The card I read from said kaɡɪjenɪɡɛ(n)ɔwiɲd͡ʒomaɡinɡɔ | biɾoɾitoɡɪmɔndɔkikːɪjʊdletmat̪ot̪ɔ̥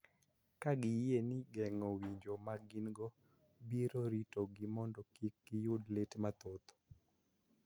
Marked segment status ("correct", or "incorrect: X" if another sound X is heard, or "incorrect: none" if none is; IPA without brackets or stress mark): incorrect: ŋ